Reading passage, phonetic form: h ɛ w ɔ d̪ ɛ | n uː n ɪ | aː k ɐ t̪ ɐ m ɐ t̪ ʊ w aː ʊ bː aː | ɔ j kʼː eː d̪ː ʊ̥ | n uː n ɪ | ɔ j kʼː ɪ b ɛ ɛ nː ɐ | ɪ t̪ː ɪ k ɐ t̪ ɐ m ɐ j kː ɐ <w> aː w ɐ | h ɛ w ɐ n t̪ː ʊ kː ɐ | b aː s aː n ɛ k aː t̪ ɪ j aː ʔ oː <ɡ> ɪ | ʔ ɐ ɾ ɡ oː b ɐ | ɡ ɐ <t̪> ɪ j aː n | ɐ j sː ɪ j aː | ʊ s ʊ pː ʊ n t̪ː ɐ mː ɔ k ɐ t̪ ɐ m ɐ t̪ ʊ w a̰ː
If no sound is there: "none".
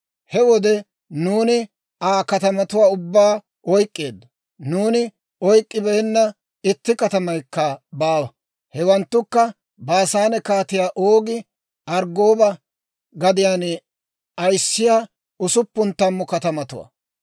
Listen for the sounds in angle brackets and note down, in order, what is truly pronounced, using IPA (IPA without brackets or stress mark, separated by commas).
b, ɡ, d̪